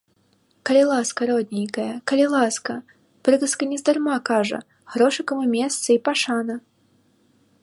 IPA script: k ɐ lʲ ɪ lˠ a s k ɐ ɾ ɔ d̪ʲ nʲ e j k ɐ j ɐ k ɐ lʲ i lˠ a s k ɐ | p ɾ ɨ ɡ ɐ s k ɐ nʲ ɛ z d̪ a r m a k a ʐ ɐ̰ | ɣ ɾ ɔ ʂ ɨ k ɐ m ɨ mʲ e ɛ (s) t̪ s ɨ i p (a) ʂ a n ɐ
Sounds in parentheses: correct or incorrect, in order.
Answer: correct, correct

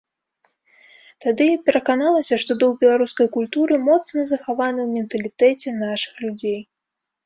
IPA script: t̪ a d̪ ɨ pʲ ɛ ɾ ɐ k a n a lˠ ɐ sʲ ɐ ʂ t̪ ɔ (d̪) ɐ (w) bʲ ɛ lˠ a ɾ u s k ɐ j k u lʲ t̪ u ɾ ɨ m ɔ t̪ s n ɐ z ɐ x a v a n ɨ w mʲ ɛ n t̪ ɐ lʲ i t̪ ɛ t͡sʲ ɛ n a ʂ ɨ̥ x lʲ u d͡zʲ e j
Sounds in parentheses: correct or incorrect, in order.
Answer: correct, correct

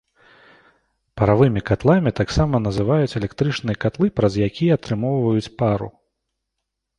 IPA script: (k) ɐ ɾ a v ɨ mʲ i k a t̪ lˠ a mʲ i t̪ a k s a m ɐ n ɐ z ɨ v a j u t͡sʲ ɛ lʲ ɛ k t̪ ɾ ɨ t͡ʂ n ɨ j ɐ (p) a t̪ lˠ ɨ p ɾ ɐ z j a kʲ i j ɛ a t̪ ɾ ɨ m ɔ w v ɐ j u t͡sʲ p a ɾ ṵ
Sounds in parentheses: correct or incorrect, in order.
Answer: incorrect: p, incorrect: k

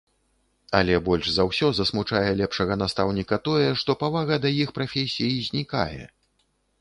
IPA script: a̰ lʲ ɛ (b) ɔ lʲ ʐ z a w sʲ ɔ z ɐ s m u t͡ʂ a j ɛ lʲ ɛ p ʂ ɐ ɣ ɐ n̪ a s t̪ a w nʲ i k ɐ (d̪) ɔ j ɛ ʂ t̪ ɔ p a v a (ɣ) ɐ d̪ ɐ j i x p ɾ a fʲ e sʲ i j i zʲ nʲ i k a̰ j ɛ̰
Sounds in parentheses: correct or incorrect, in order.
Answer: correct, incorrect: t̪, correct

